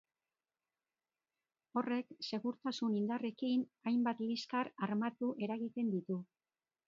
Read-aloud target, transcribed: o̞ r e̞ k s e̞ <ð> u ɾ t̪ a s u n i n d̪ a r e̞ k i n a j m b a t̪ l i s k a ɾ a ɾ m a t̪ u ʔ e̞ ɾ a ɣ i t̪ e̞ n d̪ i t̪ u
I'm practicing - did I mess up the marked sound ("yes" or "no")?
yes